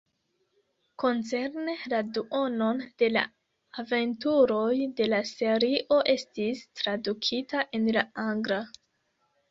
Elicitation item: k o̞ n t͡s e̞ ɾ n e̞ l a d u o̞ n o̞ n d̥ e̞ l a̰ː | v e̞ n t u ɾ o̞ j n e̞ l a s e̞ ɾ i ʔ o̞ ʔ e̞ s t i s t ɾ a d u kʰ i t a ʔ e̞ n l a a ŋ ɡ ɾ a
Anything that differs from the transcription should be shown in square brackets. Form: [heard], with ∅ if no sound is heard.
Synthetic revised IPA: k o̞ n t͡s e̞ ɾ n e̞ l a d u o̞ n o̞ n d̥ e̞ l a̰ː | v e̞ n t u ɾ o̞ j [d] e̞ l a s e̞ ɾ i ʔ o̞ ʔ e̞ s t i s t ɾ a d u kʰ i t a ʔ e̞ n l a a ŋ ɡ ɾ a